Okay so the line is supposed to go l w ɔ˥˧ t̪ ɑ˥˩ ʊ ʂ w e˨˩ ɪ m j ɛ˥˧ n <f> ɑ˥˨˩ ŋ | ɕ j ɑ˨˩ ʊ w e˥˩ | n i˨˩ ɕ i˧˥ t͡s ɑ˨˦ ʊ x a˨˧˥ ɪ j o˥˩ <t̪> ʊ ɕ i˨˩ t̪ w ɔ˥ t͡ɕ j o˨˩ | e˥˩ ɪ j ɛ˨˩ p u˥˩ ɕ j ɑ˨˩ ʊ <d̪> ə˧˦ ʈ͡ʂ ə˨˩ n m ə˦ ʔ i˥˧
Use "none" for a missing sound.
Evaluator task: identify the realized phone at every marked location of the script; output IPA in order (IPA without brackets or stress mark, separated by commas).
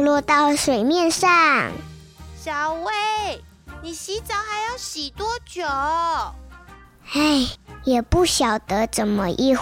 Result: ʂ, none, t̪